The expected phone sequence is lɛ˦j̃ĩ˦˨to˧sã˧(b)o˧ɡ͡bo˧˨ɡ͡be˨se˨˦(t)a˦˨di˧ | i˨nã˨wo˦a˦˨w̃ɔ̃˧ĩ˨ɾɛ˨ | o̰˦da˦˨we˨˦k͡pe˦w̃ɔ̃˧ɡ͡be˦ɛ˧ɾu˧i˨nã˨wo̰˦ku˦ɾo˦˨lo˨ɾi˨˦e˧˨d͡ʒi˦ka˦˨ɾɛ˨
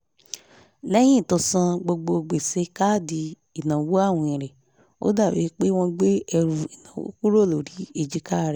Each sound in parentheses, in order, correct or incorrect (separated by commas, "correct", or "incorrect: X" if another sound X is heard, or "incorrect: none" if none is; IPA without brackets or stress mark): incorrect: ɡ͡b, incorrect: k